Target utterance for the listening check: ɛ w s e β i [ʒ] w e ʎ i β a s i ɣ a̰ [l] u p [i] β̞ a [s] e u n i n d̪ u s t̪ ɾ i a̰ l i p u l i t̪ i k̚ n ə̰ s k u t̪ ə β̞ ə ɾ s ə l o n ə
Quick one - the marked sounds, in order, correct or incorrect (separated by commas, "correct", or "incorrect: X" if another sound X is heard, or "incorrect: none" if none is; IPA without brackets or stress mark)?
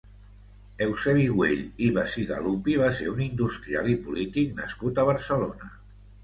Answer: incorrect: ɣ, correct, correct, correct